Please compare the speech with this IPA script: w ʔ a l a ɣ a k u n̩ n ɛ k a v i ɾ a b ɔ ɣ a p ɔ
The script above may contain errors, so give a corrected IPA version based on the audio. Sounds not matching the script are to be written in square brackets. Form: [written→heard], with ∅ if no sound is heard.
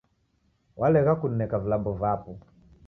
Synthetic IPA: w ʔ a l [a→ɛ] ɣ a k u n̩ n ɛ k a v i [ɾ→l] a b ɔ [ɣ→v] a p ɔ